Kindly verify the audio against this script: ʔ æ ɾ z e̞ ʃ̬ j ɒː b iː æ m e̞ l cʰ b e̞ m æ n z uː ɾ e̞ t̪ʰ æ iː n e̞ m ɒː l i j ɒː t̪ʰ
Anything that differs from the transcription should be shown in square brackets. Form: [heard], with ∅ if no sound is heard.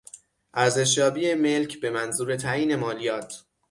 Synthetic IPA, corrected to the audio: ʔ æ ɾ z e̞ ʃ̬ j ɒː b iː [e] m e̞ l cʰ b e̞ m æ n z uː ɾ e̞ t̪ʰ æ iː n e̞ m ɒː l i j ɒː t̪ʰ